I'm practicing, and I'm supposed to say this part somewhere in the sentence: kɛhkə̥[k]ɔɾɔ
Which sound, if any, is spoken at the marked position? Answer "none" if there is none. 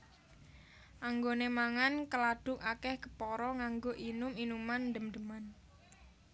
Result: p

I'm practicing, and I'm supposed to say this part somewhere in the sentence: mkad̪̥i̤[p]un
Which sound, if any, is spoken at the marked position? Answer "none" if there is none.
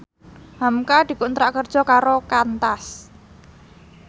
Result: k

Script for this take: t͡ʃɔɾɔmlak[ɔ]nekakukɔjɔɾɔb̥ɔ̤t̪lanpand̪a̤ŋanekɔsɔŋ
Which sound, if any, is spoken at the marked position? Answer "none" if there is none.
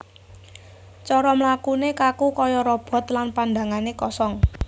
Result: u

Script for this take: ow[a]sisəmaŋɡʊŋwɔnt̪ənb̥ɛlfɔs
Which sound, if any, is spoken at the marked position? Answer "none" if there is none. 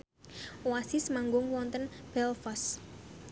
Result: a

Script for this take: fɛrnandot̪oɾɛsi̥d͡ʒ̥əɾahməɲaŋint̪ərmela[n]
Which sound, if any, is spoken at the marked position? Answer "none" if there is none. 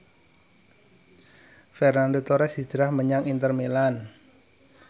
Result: n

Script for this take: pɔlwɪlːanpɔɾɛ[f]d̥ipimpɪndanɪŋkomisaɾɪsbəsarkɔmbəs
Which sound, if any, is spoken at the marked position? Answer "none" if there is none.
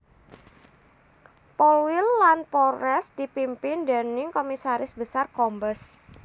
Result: s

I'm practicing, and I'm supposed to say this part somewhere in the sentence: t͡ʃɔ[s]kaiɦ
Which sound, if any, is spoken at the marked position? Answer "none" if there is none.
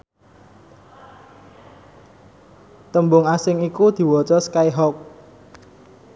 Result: s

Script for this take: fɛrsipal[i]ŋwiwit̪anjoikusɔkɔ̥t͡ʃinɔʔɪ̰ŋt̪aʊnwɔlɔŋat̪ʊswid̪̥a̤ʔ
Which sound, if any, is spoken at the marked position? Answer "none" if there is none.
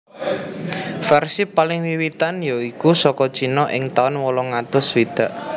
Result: ɪ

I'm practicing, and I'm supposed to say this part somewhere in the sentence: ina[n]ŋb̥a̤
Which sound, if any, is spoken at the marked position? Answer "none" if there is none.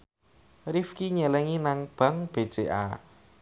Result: none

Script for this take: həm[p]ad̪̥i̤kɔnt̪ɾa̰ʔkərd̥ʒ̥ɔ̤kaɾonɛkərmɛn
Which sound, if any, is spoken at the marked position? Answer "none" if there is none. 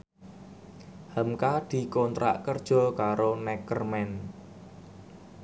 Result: k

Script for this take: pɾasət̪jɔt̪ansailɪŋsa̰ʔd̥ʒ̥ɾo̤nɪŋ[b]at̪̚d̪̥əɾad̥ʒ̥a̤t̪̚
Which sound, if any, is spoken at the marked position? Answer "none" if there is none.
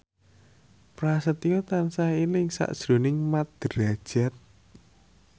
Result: m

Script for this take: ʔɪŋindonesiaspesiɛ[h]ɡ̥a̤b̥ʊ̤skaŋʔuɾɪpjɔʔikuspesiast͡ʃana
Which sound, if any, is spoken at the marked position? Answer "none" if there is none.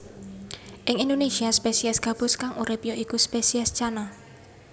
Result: s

